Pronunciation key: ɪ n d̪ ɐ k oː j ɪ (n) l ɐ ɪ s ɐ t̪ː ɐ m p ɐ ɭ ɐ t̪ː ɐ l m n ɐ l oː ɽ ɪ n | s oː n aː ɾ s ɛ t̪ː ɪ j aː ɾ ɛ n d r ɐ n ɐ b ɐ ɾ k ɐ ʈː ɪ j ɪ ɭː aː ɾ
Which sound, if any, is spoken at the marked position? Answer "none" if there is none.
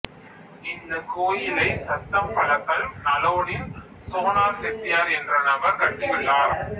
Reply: none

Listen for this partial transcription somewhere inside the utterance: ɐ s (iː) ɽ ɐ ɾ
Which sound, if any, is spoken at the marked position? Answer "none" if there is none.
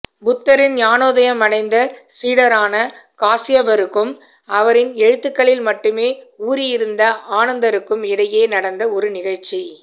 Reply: iː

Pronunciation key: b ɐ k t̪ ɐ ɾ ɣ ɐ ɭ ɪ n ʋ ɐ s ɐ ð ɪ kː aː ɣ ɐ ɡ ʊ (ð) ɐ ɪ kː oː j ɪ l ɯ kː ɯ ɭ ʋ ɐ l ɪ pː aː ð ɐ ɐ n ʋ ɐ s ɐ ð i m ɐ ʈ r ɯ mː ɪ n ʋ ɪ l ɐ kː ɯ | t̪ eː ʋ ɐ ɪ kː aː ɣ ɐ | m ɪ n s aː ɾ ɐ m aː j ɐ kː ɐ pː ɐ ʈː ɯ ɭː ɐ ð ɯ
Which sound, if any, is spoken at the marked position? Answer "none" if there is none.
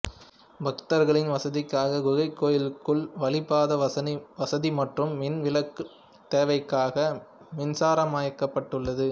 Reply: ɣ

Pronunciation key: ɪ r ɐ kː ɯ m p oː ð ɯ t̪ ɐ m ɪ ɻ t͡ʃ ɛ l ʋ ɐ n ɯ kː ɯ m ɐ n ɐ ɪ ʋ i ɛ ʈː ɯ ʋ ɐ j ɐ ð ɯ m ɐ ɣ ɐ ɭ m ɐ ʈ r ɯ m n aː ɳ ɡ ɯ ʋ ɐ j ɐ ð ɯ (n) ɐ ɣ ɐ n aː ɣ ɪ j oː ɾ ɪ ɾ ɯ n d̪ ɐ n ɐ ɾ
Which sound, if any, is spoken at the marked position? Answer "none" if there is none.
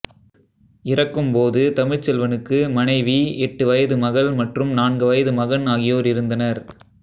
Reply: m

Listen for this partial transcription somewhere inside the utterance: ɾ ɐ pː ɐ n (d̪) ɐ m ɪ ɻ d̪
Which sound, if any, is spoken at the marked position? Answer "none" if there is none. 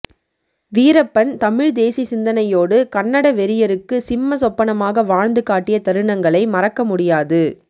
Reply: t̪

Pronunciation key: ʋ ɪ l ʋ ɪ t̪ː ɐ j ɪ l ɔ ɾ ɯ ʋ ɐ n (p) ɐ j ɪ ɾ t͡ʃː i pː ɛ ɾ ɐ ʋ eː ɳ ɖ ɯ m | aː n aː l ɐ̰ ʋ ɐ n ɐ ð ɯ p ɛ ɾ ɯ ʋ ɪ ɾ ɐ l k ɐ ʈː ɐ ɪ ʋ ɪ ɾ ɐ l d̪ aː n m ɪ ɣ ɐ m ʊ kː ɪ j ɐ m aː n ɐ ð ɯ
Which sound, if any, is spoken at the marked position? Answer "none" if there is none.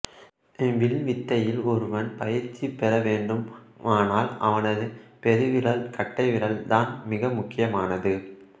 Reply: p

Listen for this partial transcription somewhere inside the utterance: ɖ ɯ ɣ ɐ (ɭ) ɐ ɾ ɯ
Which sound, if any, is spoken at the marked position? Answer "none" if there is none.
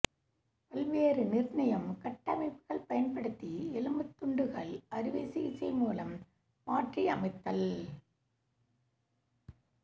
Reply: ɭ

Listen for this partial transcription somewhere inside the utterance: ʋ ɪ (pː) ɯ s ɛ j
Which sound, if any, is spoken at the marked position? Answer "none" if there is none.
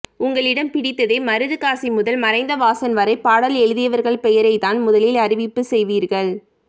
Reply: pː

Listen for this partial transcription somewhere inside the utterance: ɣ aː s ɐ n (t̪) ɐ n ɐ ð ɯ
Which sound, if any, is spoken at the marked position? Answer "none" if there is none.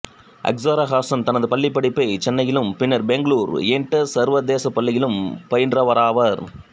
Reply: t̪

